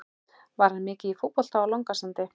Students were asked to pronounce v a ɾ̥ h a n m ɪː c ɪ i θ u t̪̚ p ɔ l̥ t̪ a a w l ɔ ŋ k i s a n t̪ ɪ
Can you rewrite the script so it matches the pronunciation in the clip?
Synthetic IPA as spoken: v a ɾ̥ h a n m ɪː c ɪ i f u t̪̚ p ɔ l̥ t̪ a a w l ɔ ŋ k a s a n t̪ ɪ